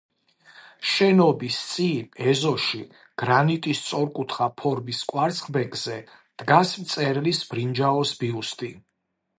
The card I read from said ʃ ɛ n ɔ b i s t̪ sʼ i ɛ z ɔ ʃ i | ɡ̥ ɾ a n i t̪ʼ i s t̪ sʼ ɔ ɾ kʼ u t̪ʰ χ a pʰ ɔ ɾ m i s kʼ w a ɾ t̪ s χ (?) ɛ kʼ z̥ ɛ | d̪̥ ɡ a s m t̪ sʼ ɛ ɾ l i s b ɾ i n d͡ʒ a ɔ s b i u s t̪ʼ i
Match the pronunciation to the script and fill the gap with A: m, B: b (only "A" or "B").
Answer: B